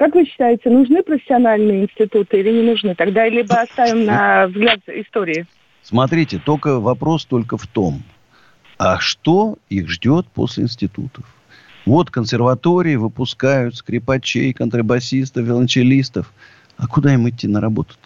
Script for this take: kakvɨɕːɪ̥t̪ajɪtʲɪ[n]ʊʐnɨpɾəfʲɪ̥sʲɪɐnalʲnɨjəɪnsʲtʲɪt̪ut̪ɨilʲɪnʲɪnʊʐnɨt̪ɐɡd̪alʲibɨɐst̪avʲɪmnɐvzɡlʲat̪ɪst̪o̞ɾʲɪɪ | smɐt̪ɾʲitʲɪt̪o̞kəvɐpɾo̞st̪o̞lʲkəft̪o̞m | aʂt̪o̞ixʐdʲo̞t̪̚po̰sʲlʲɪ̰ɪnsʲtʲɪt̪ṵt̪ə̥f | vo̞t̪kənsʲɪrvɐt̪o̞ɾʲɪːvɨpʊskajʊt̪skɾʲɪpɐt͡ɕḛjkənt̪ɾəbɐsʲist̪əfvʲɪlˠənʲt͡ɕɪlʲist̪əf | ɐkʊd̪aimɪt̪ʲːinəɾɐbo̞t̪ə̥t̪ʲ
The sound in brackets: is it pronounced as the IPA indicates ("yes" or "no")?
yes